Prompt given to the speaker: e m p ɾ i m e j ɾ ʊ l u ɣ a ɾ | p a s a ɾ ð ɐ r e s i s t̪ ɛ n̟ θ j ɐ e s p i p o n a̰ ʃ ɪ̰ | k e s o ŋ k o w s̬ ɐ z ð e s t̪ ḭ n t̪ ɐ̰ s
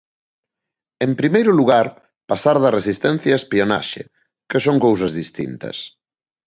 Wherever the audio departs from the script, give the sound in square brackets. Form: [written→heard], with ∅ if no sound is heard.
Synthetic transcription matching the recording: e m p ɾ i m e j ɾ ʊ l u ɣ a ɾ | p a s a ɾ ð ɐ r e s i s t̪ ɛ n̟ θ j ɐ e s p i [p→∅] o n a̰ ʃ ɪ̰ | k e s o ŋ k o w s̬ ɐ z ð [e→i] s t̪ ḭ n t̪ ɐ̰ s